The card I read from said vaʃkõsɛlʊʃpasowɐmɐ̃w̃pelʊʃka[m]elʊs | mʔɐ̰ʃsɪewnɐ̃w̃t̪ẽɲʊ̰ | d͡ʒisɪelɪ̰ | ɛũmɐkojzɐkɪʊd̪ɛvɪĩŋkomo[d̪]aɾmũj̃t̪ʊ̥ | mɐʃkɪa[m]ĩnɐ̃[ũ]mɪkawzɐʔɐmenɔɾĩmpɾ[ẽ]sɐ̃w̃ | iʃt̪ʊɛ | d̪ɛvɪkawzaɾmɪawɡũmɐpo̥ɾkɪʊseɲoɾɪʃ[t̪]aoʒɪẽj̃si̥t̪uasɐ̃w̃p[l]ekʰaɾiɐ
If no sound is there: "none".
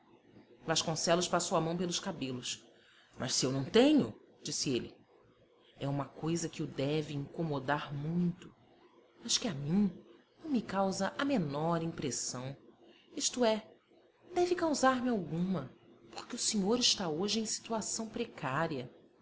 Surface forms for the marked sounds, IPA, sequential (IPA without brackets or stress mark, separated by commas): b, d̪, m, w̃, e, t̪, ɾ